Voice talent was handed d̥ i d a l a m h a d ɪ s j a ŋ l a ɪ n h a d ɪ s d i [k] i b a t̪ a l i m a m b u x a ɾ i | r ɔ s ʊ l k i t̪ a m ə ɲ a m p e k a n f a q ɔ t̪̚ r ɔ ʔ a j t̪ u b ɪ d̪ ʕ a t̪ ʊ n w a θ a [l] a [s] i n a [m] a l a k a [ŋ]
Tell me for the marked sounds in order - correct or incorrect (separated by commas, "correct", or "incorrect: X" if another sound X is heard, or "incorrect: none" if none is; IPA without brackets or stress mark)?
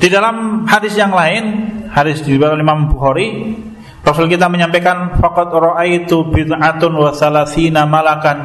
incorrect: none, correct, incorrect: θ, correct, incorrect: n